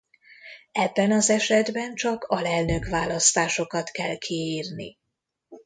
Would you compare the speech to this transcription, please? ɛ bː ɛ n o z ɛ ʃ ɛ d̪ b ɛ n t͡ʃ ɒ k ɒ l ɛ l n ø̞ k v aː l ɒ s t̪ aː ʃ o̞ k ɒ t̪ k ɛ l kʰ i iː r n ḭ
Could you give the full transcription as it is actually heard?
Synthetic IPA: ɛ bː ɛ n ɒ z ɛ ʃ ɛ d̪ b ɛ n t͡ʃ ɒ k ɒ l ɛ l n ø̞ k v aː l ɒ s t̪ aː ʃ o̞ k ɒ t̪ k ɛ l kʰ i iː r n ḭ